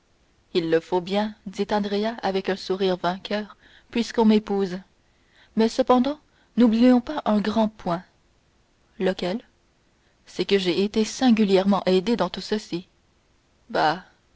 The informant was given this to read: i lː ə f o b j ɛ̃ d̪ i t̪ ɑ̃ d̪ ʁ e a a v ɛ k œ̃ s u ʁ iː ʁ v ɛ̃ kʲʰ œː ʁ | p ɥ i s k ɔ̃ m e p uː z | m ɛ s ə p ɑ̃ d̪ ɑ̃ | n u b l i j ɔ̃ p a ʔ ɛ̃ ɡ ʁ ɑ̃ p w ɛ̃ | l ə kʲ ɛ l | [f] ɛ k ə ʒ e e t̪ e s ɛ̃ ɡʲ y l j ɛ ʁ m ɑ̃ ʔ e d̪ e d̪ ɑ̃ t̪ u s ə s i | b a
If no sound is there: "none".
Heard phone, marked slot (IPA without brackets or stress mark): s